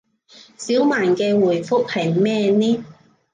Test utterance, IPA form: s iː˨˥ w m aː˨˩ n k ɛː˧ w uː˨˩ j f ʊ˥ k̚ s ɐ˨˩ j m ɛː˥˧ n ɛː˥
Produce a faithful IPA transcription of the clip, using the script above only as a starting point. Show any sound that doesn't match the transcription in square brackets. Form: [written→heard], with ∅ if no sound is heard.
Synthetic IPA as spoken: s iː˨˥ w m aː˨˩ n k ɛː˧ w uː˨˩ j f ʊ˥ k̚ [s→h] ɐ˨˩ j m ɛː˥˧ n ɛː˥